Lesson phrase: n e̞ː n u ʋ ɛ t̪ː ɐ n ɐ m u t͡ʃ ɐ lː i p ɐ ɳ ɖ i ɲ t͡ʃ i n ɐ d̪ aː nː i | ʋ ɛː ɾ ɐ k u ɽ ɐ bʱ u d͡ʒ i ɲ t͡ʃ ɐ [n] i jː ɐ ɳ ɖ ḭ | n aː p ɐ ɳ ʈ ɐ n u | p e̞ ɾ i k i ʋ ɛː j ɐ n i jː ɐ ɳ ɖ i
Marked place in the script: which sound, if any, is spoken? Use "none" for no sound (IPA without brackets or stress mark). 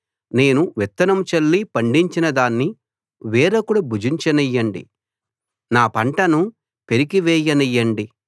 n